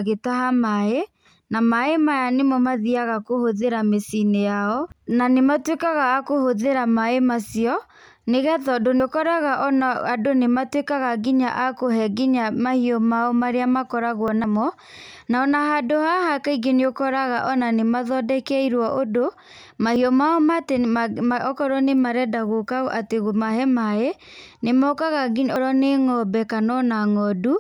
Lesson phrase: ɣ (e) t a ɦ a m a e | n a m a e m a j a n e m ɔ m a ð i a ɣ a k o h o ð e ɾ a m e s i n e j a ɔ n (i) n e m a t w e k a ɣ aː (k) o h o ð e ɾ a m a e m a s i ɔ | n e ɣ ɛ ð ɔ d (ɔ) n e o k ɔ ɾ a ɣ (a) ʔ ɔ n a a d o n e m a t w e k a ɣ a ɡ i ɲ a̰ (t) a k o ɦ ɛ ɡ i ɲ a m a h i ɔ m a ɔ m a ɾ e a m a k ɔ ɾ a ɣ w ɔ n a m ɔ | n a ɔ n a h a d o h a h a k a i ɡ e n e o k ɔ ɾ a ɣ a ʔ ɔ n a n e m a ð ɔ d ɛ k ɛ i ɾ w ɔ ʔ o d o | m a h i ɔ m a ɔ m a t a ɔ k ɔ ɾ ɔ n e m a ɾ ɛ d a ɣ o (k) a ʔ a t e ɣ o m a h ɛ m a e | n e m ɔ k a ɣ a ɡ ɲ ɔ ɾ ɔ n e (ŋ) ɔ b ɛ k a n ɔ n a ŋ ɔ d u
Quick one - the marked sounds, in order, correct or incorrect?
correct, incorrect: a, correct, incorrect: o, correct, incorrect: ʔ, correct, correct

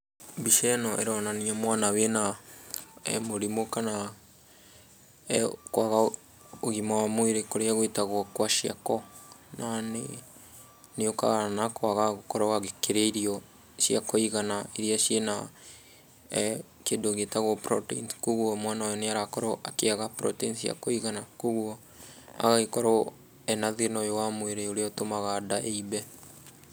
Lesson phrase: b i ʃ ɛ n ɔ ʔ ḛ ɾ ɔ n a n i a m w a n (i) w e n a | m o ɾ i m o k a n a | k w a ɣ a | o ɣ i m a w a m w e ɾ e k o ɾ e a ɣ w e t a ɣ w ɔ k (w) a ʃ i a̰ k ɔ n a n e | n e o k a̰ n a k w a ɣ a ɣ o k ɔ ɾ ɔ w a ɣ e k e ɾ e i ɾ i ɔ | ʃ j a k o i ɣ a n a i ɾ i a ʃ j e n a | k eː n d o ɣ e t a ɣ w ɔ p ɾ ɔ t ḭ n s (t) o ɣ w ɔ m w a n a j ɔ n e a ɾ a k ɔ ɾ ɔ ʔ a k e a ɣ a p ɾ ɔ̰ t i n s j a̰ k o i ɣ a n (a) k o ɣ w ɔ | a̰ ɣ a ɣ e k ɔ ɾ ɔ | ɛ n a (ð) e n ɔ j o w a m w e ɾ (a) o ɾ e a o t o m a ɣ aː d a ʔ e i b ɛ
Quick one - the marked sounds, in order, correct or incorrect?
incorrect: a, correct, incorrect: k, correct, correct, incorrect: e

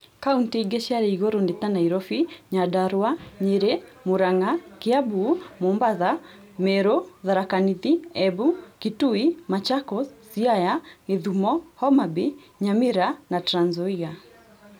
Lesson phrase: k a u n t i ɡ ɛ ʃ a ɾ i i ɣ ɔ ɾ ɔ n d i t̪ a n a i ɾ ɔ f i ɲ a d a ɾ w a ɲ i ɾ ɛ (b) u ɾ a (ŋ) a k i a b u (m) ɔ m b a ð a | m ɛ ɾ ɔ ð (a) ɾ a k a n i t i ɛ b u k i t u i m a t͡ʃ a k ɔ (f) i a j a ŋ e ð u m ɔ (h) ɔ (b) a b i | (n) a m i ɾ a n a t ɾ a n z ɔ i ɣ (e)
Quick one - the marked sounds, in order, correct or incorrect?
incorrect: m, correct, correct, correct, incorrect: s, correct, incorrect: m, incorrect: ɲ, incorrect: a

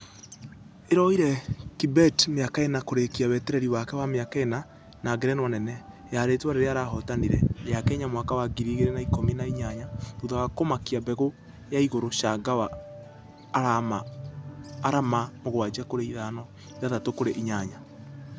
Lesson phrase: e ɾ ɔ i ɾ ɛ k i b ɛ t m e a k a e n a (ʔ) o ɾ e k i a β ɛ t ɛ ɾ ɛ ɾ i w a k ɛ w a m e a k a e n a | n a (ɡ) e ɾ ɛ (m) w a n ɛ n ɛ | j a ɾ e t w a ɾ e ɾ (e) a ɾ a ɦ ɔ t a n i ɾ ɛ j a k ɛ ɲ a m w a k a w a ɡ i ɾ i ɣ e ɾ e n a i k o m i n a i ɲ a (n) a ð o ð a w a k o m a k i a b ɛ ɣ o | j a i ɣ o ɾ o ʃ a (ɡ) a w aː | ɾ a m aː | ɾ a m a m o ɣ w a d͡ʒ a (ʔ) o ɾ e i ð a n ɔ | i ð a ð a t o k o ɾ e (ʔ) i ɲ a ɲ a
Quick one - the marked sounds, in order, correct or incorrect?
incorrect: k, correct, incorrect: n, correct, incorrect: ɲ, correct, incorrect: k, correct

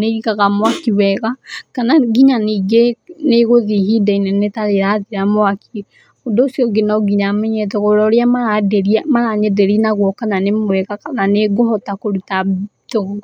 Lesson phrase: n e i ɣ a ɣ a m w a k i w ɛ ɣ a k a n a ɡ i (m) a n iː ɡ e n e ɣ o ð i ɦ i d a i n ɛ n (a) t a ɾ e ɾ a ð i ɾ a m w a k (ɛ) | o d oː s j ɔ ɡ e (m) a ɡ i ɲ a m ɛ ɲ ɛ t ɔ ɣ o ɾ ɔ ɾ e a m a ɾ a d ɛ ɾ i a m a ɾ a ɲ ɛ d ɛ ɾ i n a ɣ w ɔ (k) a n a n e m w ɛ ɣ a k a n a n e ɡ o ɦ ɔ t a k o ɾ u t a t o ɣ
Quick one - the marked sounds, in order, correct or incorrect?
incorrect: ɲ, incorrect: e, incorrect: i, incorrect: n, correct

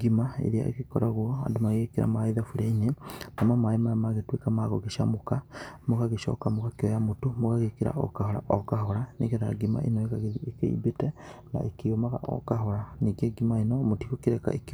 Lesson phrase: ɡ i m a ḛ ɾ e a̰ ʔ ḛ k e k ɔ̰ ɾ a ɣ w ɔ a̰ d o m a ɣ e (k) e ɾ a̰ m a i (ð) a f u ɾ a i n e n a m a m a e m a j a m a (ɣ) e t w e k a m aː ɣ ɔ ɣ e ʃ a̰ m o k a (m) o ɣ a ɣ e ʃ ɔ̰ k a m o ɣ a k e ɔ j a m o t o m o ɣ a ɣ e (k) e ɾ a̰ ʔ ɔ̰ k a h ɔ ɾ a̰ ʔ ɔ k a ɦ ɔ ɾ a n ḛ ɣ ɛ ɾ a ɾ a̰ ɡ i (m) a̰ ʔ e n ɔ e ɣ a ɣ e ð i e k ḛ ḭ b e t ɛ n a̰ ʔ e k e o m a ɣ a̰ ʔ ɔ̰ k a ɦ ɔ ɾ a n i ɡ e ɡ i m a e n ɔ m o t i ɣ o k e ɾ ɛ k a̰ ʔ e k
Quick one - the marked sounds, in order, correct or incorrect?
correct, correct, correct, correct, correct, correct

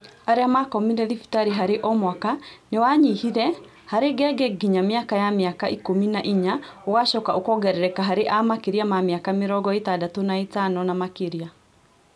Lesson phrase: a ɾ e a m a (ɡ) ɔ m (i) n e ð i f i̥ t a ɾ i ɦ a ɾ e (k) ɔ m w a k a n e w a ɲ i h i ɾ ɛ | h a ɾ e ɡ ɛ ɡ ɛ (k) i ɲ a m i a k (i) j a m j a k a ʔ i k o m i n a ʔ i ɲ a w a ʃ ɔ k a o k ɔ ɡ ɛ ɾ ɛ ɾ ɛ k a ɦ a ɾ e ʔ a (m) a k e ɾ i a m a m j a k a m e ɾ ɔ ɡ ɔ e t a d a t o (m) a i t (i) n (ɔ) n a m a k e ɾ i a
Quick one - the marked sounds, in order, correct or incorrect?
incorrect: k, correct, incorrect: ʔ, incorrect: ɡ, incorrect: a, correct, incorrect: n, incorrect: a, correct

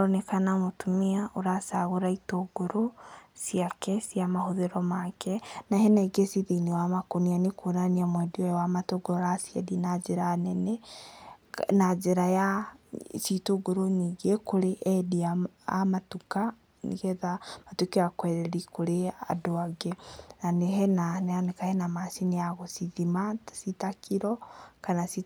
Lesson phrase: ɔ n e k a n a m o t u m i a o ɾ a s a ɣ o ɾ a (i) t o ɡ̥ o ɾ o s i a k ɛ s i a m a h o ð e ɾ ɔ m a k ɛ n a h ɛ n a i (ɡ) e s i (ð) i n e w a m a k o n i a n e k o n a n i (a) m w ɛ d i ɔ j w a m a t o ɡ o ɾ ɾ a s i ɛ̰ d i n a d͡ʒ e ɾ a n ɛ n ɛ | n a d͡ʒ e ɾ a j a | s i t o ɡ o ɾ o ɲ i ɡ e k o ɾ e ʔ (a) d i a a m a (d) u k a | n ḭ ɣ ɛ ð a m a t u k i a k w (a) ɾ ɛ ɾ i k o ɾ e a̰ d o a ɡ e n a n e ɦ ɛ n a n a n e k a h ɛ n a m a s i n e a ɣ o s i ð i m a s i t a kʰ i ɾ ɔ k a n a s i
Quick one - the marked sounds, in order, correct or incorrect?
correct, correct, correct, correct, incorrect: ɛ, incorrect: t, incorrect: ɛ

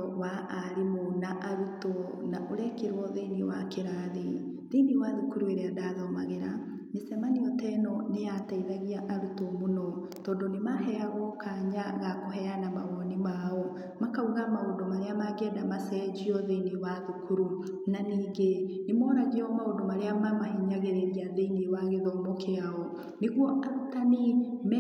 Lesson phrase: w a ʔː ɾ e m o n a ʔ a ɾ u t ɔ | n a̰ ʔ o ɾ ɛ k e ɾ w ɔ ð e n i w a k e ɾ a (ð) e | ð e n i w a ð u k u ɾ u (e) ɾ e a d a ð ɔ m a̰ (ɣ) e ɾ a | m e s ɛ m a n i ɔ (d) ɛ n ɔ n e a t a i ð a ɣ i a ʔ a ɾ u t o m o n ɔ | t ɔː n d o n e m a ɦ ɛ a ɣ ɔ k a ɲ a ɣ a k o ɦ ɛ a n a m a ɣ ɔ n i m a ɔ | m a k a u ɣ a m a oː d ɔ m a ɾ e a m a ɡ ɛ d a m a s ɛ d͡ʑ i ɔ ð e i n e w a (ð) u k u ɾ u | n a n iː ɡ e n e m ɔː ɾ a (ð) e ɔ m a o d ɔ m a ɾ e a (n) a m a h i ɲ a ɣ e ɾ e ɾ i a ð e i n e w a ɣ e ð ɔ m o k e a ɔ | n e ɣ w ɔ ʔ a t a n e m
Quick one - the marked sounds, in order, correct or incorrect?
correct, correct, correct, incorrect: t, correct, incorrect: ɣ, incorrect: m

